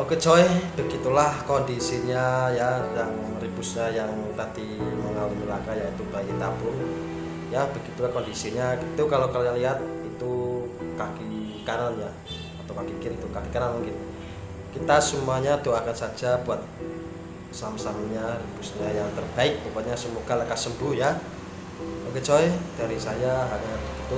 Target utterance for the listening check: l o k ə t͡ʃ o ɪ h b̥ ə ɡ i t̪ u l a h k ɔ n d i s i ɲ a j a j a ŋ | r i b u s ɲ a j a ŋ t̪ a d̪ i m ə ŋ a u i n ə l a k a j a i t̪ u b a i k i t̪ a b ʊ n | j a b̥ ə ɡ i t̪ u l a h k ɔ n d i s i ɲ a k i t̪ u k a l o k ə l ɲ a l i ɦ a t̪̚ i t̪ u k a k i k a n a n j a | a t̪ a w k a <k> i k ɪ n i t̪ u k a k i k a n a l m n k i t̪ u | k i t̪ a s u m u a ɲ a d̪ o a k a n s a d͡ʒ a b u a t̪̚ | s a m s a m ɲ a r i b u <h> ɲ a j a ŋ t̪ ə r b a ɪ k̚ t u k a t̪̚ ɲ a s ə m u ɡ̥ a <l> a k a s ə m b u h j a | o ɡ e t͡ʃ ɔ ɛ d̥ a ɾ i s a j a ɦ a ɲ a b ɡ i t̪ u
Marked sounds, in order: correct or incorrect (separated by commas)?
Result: correct, incorrect, correct